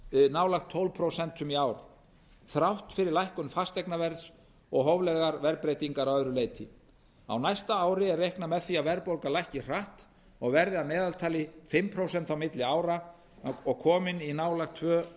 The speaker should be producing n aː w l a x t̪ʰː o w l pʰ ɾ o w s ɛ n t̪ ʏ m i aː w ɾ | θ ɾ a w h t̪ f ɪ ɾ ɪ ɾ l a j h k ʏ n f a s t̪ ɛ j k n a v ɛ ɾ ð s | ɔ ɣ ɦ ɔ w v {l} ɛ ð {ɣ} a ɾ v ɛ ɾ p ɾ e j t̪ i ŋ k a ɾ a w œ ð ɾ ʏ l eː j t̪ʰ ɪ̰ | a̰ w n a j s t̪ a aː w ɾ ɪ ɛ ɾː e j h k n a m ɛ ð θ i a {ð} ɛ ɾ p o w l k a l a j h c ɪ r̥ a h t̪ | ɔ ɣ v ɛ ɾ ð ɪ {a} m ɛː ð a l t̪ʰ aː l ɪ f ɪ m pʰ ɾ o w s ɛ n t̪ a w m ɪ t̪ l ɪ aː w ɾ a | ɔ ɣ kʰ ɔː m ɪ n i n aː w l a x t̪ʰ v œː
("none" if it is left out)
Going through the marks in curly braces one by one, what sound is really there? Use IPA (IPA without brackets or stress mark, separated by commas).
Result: l, ɣ, v, a